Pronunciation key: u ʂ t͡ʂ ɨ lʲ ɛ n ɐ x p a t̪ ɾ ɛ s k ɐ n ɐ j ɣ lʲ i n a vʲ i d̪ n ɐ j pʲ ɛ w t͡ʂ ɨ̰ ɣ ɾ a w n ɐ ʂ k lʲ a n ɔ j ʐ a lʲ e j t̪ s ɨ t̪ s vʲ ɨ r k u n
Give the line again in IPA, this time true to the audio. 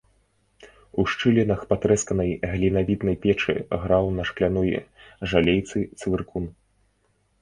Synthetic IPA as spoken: u ʂ t͡ʂ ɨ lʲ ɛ n ɐ x p a t̪ ɾ ɛ s k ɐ n ɐ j ɣ lʲ i n a vʲ i d̪ n ɐ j pʲ ɛ t͡ʂ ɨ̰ ɣ ɾ a w n ɐ ʂ k lʲ a n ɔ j ʐ a lʲ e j t̪ s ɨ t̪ s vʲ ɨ r k u n

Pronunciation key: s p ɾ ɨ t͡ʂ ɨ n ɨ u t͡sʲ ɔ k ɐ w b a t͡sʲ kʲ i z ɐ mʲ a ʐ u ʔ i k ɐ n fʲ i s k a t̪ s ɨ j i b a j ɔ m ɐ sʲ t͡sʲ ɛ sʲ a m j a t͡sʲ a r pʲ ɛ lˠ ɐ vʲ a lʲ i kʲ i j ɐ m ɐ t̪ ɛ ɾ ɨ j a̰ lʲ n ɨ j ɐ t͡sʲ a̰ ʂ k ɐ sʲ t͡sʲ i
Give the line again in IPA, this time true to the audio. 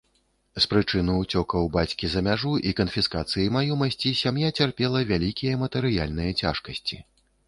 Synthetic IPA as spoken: s p ɾ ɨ t͡ʂ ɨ n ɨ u t͡sʲ ɔ k ɐ w b a t͡sʲ kʲ i z ɐ mʲ a ʐ u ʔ i k ɐ n fʲ i s k a t̪ s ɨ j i m a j ɔ m ɐ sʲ t͡sʲ i sʲ a m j a t͡sʲ a r pʲ ɛ lˠ ɐ vʲ a lʲ i kʲ i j ɐ m ɐ t̪ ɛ ɾ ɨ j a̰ lʲ n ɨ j ɐ t͡sʲ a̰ ʂ k ɐ sʲ t͡sʲ i

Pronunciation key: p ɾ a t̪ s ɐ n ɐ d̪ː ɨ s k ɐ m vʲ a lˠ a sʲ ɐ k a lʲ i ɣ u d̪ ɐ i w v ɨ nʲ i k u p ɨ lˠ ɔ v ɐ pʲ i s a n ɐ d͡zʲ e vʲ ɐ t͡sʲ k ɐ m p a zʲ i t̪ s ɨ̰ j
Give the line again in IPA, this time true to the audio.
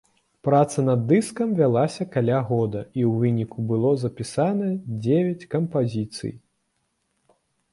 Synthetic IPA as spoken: p ɾ a t̪ s ɐ n ɐ d̪ː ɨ s k ɐ m vʲ a lˠ a sʲ ɐ k a lʲ a ɣ ɔ d̪ ɐ i w v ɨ nʲ i k u b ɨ lˠ ɔ z ɐ pʲ i s a n ɐ d͡zʲ e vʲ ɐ t͡sʲ k ɐ m p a zʲ i t̪ s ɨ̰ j

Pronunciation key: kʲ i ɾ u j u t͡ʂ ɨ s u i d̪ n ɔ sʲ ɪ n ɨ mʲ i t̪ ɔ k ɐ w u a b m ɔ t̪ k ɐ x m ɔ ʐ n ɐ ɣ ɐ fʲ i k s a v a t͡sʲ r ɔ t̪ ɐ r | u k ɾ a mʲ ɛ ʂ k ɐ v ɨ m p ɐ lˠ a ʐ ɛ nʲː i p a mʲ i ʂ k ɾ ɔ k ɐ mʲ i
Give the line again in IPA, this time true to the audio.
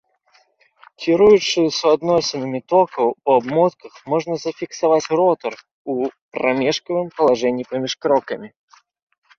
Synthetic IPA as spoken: kʲ i ɾ u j u t͡ʂ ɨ s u a d̪ n ɔ sʲ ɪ n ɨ mʲ i t̪ ɔ k ɐ w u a b m ɔ t̪ k ɐ x m ɔ ʐ n ɐ z ɐ fʲ i k s a v a t͡sʲ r ɔ t̪ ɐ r | u p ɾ a mʲ ɛ ʂ k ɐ v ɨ m p ɐ lˠ a ʐ ɛ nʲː i p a mʲ i ʂ k ɾ ɔ k ɐ mʲ i

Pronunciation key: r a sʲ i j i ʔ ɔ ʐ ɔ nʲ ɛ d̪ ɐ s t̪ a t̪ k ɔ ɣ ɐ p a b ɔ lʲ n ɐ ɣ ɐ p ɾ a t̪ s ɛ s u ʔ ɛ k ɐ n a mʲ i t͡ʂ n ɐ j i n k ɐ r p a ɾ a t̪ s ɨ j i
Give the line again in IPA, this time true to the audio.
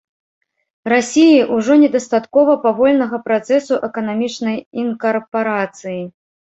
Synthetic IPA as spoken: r a sʲ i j i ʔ u ʐ ɔ nʲ ɛ d̪ ɐ s t̪ a t̪ k ɔ v ɐ p a v ɔ lʲ n ɐ ɣ ɐ p ɾ a t̪ s ɛ s u ʔ ɛ k ɐ n a mʲ i t͡ʂ n ɐ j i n k ɐ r p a ɾ a t̪ s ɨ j i

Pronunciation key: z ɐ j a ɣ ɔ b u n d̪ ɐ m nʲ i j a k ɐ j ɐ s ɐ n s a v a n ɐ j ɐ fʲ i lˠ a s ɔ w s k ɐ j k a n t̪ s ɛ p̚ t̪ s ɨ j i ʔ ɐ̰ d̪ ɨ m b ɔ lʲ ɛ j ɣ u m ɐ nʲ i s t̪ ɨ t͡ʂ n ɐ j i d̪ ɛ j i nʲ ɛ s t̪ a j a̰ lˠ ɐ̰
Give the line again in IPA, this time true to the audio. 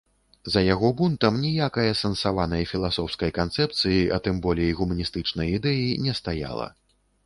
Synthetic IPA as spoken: z ɐ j a ɣ ɔ b u n t̪ ɐ m nʲ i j a k ɐ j ɐ s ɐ n s a v a n ɐ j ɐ fʲ i lˠ a s ɔ w s k ɐ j k a n t̪ s ɛ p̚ t̪ s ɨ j i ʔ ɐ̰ t̪ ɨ m b ɔ lʲ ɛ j ɣ u m ɐ nʲ i s t̪ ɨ t͡ʂ n ɐ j i d̪ ɛ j i nʲ ɛ s t̪ a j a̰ lˠ ɐ̰

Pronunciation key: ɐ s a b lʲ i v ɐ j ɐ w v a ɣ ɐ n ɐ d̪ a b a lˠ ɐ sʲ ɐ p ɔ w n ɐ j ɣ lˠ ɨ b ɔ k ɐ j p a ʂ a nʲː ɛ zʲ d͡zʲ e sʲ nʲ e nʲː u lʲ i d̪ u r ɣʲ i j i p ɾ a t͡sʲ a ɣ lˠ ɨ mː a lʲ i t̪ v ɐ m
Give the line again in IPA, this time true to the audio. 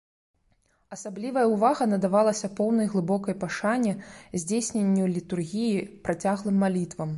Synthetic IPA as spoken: ɐ s a b lʲ i v ɐ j ɐ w v a ɣ ɐ n ɐ d̪ a v a lˠ ɐ sʲ ɐ p ɔ w n ɐ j ɣ lˠ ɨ b ɔ k ɐ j p a ʂ a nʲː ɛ zʲ d͡zʲ e sʲ nʲ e nʲː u lʲ i t̪ u r ɣʲ i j i p ɾ a t͡sʲ a ɣ lˠ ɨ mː a lʲ i t̪ v ɐ m

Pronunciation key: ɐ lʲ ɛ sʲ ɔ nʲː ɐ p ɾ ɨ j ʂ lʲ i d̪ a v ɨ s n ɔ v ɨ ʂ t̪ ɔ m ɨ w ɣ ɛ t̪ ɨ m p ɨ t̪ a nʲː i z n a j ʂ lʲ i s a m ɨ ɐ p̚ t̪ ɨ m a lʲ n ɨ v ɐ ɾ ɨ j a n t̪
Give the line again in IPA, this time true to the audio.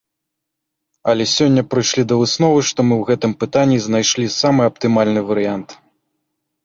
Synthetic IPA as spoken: ɐ lʲ ɛ sʲ ɔ nʲː ɐ p ɾ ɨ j ʂ lʲ i d̪ ɐ v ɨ s n ɔ v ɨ ʂ t̪ ɔ m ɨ w ɣ ɛ t̪ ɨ m p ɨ t̪ a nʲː i z n a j ʂ lʲ i s a m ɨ ɐ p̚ t̪ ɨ m a lʲ n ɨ v ɐ ɾ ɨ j a n t̪

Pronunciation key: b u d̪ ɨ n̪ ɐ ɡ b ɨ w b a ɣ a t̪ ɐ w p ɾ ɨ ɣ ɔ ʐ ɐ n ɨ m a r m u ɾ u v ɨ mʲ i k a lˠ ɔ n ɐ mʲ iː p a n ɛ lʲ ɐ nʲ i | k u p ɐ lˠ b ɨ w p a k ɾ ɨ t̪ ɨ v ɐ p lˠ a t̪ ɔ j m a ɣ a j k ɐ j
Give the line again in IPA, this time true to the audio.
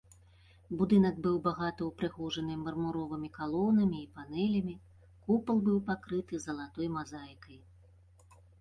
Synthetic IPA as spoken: b u d̪ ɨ n̪ ɐ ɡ b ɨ w b a ɣ a t̪ ɐ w p ɾ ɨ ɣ ɔ ʐ ɐ n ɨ m ɐ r m u ɾ ɔ v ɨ mʲ i k a lˠ ɔ n ɐ mʲ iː p a n ɛ lʲ ɐ mʲ i | k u p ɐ lˠ b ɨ w p a k ɾ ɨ t̪ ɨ z ɐ lˠ a t̪ ɔ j m a z a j k ɐ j

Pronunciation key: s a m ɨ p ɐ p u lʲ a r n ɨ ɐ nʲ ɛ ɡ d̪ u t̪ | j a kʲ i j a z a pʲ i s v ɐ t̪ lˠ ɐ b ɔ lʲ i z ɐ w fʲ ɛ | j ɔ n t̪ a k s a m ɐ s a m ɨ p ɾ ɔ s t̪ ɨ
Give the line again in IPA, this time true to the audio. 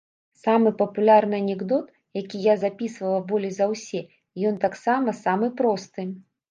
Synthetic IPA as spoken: s a m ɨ p ɐ p u lʲ a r n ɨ ɐ nʲ ɛ ɡ d̪ ɔ t̪ | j a kʲ i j a z a pʲ i s v ɐ lˠ ɐ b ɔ lʲ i z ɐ w sʲ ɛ | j ɔ n t̪ a k s a m ɐ s a m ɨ p ɾ ɔ s t̪ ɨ

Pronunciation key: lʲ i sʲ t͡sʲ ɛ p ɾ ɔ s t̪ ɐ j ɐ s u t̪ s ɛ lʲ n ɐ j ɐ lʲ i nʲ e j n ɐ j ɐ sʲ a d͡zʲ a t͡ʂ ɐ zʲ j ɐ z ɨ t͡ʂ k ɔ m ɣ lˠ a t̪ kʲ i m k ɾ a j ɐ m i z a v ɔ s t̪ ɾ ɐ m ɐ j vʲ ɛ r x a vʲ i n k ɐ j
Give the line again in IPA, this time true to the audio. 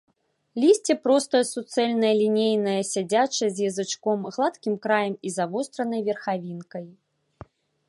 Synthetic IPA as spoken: lʲ i sʲ t͡sʲ ɛ p ɾ ɔ s t̪ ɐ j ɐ s u t̪ s ɛ lʲ n ɐ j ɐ lʲ i nʲ e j n ɐ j ɐ sʲ a d͡zʲ a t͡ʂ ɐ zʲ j ɐ z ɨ t͡ʂ k ɔ m ɣ lˠ a t̪ kʲ i m k ɾ a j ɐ m i z a v ɔ s t̪ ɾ ɐ n ɐ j vʲ ɛ r x a vʲ i n k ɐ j

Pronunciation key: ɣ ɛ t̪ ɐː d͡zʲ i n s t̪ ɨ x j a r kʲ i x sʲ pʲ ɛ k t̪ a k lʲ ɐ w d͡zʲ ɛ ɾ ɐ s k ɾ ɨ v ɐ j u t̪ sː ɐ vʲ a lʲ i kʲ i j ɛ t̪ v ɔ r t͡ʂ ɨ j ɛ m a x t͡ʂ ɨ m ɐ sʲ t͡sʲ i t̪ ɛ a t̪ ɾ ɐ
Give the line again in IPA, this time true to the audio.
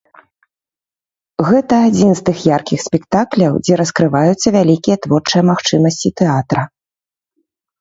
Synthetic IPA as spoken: ɣ ɛ t̪ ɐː d͡zʲ i n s t̪ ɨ x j a r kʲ i x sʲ pʲ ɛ k t̪ a k lʲ ɐ w d͡zʲ ɛ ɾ ɐ s k ɾ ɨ v a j u t̪ sː ɐ vʲ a lʲ i kʲ i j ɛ t̪ v ɔ r t͡ʂ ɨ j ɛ m a x t͡ʂ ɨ m ɐ sʲ t͡sʲ i t̪ ɛ a t̪ ɾ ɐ

